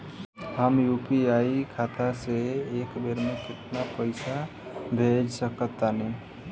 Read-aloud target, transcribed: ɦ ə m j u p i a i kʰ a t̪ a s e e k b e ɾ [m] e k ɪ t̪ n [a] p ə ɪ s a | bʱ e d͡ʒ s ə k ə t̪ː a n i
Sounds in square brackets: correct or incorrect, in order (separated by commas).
correct, correct